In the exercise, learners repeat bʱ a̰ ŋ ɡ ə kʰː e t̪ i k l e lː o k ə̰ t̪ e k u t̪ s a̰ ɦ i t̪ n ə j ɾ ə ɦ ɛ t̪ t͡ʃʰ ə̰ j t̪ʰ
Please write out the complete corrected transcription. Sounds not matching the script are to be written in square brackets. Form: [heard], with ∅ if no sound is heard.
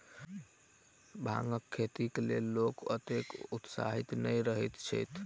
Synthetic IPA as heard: bʱ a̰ ŋ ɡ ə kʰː e t̪ i k l e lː o k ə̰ t̪ e k u t̪ s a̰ ɦ i t̪ n ə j ɾ ə ɦ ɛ t̪ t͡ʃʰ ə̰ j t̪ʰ